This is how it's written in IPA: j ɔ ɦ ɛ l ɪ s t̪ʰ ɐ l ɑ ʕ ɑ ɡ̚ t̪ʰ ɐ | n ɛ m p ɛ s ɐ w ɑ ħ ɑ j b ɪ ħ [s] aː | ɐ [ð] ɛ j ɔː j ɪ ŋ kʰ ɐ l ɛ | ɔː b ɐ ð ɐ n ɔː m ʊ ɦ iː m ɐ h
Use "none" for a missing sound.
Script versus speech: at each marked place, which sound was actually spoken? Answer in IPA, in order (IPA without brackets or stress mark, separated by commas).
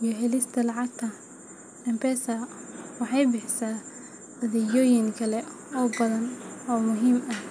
s, ð